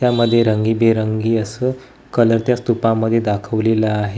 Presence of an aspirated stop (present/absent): present